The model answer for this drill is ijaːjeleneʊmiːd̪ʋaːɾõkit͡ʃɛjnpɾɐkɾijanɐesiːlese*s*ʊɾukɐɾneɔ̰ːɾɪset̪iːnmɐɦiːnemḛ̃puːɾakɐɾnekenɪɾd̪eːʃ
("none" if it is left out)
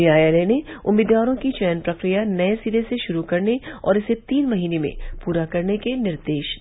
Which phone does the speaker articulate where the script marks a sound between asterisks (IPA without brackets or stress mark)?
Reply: ʃ